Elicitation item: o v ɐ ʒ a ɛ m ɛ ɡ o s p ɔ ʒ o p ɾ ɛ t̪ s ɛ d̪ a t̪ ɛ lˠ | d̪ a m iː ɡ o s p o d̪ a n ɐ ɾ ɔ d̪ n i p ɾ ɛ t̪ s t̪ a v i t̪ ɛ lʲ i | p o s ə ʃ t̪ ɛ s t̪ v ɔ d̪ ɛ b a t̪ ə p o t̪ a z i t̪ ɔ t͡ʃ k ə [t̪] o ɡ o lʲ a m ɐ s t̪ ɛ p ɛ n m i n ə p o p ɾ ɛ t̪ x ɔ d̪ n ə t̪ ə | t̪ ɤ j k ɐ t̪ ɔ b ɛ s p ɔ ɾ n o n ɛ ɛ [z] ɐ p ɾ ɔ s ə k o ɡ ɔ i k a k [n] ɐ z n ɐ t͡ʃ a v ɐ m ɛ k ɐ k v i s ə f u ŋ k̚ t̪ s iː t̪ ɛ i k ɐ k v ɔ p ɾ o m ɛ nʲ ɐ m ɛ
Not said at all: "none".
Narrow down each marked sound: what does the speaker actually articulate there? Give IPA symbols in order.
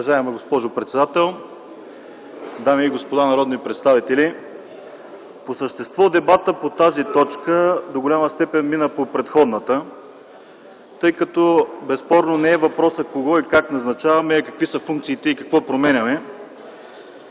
d̪, v, n

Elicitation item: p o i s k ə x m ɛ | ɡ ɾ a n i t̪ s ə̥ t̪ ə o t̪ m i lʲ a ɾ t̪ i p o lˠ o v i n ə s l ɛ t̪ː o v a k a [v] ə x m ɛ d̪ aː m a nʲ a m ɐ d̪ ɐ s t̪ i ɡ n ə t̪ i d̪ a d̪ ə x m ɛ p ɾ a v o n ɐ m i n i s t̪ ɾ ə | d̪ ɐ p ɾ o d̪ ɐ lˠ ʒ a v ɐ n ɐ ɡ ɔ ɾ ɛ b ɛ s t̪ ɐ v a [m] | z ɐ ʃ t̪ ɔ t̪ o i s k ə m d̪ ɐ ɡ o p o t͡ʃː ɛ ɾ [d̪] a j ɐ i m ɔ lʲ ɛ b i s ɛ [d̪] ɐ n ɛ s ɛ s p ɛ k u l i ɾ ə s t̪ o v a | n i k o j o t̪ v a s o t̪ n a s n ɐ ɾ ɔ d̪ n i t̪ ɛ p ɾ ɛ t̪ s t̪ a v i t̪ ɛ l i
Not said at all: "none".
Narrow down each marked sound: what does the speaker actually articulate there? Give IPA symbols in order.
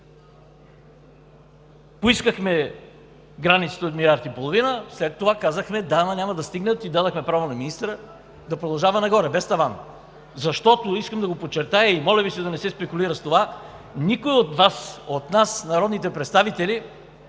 z, n, t̪, d̪

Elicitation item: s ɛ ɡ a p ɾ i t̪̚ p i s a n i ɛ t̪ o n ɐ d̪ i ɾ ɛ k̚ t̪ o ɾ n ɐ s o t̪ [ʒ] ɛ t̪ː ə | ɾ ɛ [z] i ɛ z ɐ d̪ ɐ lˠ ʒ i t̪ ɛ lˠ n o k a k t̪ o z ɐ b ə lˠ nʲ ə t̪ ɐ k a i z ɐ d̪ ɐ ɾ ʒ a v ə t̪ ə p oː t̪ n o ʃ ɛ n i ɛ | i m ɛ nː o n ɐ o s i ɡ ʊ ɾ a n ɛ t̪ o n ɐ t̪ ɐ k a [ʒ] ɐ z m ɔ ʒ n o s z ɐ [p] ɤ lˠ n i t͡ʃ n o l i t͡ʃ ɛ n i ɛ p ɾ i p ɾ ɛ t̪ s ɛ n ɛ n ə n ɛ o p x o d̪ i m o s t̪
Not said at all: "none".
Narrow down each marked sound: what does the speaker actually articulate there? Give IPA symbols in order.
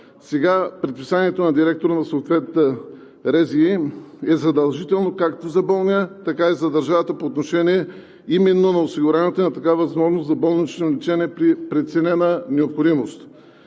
v, z, v, b

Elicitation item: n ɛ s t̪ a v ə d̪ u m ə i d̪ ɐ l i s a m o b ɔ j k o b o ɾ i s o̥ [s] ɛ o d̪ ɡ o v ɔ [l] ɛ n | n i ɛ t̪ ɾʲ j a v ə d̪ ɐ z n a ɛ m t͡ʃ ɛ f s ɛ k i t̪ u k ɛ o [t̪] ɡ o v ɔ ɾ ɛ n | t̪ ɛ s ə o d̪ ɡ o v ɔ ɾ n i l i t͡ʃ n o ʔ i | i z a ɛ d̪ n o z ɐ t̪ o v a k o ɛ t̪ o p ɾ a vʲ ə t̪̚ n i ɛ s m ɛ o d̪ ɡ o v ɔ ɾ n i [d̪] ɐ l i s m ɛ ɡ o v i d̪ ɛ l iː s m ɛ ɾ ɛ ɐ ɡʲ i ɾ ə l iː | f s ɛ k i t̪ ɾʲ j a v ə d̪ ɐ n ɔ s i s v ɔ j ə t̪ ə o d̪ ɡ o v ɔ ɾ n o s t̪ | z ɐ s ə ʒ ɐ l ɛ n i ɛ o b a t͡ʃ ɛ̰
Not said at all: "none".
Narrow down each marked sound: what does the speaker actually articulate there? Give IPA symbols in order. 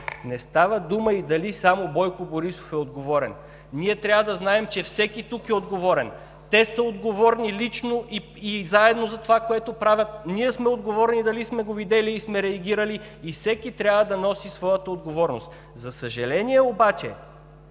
f, ɾ, d̪, d̪

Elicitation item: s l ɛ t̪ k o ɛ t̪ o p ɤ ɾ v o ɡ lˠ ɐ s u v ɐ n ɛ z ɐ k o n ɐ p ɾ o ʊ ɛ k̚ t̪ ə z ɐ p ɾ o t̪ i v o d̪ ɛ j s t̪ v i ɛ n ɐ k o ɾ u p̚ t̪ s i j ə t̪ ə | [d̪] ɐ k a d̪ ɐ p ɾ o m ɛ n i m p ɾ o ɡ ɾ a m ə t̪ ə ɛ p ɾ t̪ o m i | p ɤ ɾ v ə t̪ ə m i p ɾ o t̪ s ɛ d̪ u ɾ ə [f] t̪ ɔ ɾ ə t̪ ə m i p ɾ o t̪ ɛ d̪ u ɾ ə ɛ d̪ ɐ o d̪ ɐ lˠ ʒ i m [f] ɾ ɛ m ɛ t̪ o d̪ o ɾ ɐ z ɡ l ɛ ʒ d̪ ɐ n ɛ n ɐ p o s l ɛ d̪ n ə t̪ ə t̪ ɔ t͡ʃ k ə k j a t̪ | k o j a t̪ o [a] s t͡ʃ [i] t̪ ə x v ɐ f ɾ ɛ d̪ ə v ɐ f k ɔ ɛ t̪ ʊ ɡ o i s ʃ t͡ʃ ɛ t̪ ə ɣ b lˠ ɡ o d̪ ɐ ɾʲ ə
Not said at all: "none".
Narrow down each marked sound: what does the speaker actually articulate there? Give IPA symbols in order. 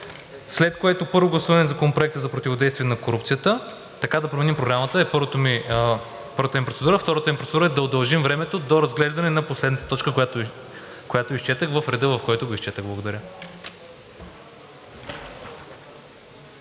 t̪, f, v, i, ɛ

